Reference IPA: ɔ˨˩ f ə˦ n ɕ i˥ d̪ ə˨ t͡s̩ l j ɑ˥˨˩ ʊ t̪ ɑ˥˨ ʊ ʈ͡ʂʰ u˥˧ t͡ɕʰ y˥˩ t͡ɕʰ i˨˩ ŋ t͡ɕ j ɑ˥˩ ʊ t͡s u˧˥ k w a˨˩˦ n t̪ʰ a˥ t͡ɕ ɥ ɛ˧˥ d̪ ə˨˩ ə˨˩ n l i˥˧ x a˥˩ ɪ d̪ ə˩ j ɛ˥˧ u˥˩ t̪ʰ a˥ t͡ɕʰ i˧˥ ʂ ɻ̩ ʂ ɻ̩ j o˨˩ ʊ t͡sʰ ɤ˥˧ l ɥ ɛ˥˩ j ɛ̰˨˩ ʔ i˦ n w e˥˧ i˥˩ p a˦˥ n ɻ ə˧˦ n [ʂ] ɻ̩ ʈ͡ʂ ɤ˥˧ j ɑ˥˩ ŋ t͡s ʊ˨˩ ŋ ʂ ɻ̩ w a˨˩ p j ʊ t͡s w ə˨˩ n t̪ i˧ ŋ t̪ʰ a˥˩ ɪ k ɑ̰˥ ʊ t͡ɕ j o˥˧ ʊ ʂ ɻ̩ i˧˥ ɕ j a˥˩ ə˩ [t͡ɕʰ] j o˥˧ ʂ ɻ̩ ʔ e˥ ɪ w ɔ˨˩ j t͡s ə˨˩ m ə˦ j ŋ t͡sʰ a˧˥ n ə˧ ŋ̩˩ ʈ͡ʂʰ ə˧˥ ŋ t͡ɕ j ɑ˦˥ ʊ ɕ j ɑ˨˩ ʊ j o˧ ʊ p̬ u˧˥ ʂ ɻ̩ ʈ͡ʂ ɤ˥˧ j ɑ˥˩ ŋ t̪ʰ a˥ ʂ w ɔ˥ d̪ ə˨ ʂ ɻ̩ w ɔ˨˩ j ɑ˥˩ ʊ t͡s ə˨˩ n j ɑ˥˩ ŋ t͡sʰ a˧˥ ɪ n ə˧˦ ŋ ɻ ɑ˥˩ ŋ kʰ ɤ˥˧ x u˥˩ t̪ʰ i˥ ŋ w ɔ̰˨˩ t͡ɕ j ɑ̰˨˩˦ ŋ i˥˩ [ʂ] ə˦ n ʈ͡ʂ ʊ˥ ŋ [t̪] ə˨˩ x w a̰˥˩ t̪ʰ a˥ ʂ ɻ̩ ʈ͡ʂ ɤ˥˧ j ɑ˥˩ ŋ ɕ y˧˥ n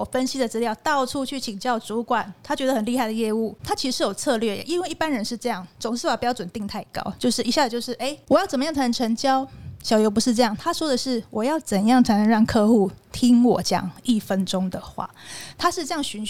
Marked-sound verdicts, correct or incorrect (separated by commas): correct, incorrect, incorrect, incorrect